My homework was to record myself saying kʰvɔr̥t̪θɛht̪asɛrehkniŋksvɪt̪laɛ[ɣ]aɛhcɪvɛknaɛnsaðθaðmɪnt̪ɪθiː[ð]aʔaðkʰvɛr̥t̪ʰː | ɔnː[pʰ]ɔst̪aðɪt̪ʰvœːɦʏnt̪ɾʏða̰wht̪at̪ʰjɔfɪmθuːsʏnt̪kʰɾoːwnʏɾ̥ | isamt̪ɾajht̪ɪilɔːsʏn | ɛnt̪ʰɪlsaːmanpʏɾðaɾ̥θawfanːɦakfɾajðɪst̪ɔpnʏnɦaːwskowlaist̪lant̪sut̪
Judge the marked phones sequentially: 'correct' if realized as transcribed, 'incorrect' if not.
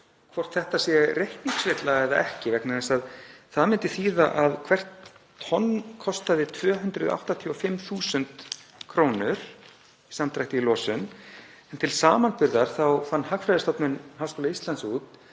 incorrect: ð, correct, incorrect: kʰ

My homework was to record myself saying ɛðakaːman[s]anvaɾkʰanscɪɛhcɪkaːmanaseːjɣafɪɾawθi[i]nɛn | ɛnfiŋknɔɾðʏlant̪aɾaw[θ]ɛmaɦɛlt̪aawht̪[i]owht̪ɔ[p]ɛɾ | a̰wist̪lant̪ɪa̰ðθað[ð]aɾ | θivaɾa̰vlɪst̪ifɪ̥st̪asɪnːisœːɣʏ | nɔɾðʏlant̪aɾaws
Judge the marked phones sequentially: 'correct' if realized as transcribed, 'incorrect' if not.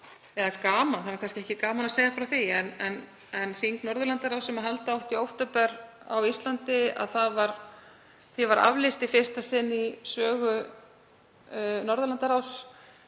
incorrect: θ, incorrect: ɛ, incorrect: s, correct, correct, incorrect: v

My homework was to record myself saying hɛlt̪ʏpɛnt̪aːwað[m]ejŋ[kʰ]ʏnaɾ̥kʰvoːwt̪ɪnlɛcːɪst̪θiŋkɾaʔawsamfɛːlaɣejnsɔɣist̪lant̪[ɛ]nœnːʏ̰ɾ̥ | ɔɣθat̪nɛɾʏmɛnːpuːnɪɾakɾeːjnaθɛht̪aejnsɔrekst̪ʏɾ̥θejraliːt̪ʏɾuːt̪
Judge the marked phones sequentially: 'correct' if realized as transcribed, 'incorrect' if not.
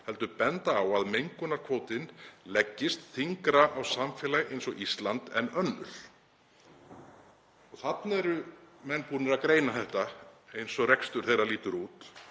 correct, incorrect: k, correct

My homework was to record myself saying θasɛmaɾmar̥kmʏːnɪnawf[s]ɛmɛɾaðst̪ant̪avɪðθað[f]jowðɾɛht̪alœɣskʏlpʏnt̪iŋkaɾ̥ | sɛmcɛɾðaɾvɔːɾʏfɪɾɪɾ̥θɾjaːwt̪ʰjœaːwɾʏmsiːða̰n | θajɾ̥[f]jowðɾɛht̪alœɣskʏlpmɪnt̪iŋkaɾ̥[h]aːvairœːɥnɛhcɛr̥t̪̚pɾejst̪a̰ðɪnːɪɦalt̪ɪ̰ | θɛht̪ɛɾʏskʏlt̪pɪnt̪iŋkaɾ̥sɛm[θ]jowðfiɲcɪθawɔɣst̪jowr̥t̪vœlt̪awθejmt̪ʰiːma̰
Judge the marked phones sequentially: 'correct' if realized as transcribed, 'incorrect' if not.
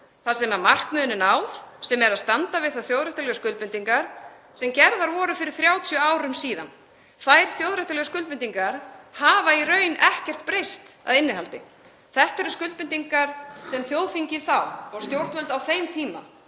correct, incorrect: θ, incorrect: θ, correct, correct

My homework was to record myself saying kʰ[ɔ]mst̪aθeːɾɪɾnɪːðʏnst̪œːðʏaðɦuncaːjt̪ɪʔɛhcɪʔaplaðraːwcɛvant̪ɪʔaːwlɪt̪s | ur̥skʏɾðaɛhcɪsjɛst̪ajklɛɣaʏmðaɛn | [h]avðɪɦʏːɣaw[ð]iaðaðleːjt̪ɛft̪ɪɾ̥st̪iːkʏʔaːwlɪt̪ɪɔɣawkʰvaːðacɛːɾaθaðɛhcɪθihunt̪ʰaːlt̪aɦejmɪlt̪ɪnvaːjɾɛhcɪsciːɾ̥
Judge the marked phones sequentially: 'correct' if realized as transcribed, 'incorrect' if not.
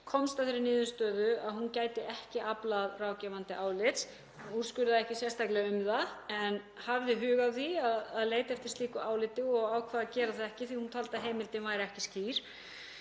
correct, correct, incorrect: θ

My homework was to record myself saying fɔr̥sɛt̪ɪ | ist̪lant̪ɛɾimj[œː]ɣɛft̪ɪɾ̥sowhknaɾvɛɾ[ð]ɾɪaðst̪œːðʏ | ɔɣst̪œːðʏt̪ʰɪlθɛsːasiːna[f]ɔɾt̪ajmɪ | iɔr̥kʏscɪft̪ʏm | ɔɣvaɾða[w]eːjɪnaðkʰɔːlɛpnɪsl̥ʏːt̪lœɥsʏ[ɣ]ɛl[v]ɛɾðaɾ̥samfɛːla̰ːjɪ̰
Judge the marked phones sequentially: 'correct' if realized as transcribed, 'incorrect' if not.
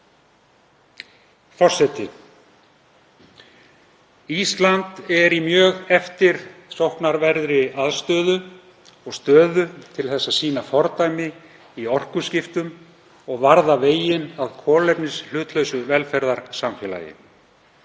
correct, correct, correct, incorrect: v, incorrect: v, incorrect: f

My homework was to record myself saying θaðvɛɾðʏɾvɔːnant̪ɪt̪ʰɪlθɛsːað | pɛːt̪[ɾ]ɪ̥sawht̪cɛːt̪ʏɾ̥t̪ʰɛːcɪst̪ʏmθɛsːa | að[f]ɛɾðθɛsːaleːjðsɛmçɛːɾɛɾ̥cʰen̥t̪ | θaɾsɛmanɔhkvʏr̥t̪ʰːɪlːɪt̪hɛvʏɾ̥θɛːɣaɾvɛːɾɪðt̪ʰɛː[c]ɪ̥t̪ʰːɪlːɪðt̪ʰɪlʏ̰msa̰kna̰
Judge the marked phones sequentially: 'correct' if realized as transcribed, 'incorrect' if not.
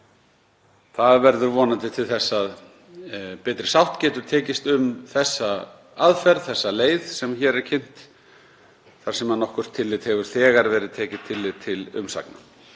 correct, correct, correct

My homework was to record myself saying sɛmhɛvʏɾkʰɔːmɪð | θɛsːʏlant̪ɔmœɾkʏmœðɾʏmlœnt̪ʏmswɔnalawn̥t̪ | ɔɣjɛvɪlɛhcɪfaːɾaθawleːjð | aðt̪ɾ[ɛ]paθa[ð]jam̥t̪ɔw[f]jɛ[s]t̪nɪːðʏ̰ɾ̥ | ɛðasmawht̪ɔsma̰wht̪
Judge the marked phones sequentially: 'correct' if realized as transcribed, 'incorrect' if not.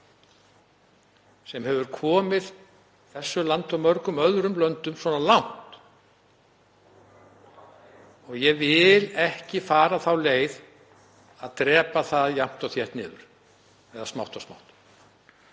incorrect: ɛː, correct, incorrect: θ, incorrect: h

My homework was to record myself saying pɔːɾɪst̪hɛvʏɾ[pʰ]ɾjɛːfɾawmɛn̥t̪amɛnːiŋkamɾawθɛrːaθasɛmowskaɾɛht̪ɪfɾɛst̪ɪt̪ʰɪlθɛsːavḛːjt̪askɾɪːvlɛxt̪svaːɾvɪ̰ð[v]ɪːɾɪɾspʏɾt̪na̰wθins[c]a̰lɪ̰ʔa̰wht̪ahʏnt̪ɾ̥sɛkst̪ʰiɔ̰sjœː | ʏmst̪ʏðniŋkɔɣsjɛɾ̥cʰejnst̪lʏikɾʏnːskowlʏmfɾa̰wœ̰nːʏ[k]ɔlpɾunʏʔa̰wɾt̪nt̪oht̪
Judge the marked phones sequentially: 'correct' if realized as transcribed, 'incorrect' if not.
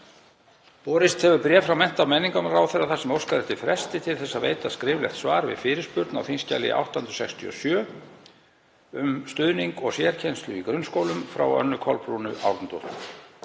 incorrect: p, incorrect: f, correct, incorrect: kʰ

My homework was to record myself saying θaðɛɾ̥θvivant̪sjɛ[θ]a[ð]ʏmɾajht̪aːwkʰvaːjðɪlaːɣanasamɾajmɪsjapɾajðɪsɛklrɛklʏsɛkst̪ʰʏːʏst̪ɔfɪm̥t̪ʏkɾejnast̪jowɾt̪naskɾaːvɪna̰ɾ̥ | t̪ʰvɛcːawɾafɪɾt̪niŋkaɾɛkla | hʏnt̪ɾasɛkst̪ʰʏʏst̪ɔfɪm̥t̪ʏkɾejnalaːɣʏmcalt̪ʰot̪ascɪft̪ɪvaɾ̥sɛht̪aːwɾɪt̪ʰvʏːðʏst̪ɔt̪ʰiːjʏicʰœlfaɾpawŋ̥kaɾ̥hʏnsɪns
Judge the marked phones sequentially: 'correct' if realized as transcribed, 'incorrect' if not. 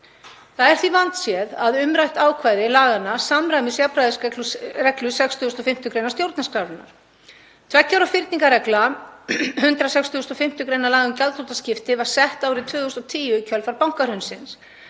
incorrect: ð, correct

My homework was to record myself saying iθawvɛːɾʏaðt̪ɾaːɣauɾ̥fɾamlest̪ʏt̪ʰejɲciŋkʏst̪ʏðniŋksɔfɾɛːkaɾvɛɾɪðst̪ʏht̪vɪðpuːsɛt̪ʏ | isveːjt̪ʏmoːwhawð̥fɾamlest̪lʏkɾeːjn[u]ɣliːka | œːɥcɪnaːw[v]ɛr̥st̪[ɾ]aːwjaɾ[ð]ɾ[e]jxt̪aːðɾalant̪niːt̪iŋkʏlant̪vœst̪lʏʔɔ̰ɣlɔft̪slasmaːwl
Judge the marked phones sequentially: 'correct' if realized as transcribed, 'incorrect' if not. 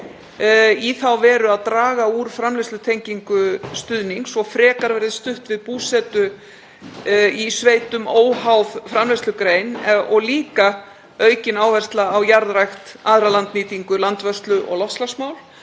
incorrect: ɔ, correct, incorrect: l, correct, incorrect: a

